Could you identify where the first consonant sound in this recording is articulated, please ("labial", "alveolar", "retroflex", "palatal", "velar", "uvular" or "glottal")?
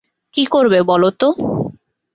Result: velar